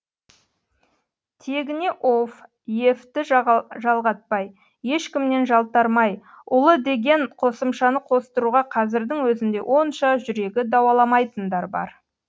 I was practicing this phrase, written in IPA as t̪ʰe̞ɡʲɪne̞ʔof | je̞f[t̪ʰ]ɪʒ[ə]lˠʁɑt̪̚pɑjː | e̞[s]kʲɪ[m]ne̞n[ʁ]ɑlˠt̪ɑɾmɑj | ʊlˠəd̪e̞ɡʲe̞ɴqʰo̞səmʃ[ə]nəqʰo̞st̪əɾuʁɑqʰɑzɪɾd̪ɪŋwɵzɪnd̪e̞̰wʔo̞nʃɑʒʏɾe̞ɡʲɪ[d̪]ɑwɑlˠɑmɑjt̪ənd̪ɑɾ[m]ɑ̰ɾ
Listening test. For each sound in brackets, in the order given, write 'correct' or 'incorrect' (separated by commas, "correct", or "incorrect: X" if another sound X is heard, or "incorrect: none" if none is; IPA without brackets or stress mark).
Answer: incorrect: t̪, incorrect: ɑ, incorrect: ʃ, correct, incorrect: ʒ, incorrect: ɑ, correct, incorrect: b